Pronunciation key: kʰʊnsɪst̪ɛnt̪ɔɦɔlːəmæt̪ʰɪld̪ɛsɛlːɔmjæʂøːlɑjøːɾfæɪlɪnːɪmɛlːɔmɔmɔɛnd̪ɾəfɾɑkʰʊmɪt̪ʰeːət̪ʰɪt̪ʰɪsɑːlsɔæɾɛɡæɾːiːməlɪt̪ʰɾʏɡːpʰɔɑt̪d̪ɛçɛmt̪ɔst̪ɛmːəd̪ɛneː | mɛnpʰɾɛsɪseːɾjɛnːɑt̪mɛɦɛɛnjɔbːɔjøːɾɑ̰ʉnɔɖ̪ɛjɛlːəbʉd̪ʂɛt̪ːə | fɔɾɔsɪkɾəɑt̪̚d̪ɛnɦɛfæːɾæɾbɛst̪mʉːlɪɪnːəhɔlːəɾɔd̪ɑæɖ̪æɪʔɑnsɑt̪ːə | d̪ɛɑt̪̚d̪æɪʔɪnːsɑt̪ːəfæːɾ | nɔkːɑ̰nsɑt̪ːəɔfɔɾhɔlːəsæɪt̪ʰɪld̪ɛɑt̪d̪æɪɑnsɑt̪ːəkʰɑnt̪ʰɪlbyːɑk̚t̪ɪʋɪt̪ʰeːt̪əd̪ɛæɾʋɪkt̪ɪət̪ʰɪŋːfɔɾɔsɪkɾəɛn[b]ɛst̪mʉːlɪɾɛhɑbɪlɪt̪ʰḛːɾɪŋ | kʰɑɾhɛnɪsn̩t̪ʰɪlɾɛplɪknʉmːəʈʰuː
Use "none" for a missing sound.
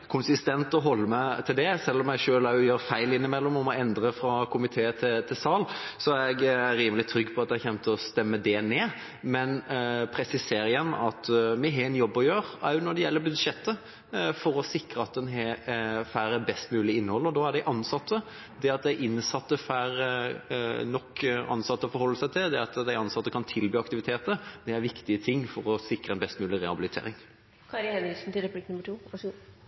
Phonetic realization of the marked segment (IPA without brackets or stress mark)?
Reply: b